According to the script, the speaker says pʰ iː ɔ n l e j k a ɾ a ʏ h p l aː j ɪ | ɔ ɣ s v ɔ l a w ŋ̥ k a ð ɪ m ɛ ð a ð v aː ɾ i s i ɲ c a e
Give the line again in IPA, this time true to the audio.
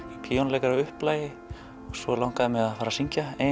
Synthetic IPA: pʰ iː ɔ n l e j k a ɾ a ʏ h p l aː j ɪ | ɔ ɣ s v ɔ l a w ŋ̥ k a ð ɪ m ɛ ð a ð f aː ɾ a s i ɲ c a e